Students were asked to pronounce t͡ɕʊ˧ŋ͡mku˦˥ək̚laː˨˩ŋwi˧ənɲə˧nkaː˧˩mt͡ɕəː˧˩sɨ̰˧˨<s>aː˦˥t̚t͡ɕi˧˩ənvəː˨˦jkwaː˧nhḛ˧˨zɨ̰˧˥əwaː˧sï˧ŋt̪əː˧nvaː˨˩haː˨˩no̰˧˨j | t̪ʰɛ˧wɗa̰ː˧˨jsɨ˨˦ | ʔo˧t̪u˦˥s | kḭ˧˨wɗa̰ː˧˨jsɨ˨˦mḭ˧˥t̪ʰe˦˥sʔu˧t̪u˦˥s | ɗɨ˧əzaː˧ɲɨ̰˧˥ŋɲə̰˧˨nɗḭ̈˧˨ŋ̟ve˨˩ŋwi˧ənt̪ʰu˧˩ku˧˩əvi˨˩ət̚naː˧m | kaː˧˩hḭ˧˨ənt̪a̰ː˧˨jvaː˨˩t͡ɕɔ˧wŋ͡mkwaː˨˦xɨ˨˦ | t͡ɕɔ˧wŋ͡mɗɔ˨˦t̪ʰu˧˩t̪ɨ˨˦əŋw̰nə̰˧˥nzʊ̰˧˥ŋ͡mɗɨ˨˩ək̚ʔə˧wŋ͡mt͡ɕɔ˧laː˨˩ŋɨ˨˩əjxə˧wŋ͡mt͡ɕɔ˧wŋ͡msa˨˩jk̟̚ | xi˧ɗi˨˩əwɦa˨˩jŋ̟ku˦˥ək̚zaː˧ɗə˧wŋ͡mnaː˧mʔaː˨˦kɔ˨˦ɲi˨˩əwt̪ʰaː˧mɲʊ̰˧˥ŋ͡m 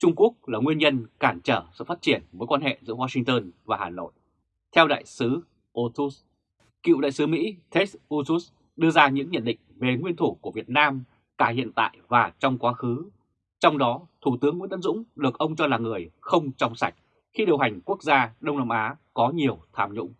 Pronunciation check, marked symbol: incorrect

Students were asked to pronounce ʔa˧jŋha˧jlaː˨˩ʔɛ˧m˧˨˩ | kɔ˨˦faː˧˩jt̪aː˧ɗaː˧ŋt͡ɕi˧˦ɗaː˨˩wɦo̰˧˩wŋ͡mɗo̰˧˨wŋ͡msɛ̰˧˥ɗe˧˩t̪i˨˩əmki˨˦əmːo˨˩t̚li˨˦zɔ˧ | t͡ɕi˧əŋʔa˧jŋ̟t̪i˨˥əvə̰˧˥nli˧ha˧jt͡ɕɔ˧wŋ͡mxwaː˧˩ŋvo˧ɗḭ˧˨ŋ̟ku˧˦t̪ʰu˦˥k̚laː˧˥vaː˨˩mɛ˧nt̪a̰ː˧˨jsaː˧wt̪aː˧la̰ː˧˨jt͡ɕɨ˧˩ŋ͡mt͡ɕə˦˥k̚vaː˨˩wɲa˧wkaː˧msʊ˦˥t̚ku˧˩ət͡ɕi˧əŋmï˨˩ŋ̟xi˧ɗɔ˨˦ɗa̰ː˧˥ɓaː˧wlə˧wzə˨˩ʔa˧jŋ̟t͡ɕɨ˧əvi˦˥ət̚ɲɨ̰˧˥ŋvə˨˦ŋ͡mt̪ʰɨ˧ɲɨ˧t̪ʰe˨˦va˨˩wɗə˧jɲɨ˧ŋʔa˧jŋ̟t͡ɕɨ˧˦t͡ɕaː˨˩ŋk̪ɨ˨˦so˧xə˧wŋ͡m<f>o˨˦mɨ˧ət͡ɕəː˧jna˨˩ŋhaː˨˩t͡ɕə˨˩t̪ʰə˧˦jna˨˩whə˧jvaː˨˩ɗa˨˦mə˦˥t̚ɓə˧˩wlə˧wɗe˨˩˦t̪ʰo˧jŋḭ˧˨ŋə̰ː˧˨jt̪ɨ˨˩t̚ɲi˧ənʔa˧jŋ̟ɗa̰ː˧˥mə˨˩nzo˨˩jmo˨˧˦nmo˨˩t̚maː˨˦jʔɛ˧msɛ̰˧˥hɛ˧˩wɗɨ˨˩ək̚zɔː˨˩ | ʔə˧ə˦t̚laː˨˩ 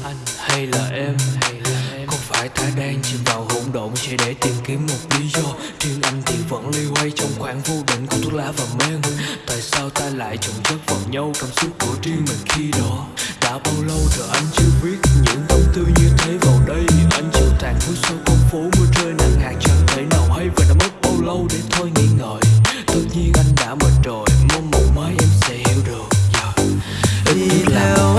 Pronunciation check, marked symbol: correct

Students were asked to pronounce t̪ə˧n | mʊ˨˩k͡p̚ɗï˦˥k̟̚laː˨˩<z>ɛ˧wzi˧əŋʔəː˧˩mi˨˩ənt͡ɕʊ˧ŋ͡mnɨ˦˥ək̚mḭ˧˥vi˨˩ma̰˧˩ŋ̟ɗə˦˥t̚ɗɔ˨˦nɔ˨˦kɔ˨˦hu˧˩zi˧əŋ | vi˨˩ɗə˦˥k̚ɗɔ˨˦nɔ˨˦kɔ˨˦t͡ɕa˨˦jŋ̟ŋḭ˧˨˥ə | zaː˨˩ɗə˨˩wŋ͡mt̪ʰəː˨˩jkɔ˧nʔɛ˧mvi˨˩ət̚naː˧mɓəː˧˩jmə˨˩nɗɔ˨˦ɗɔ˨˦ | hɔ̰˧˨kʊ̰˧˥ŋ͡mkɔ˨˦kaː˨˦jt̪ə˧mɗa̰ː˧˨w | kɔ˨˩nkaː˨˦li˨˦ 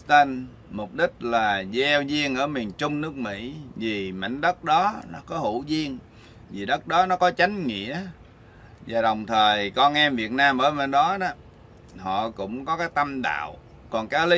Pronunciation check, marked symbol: correct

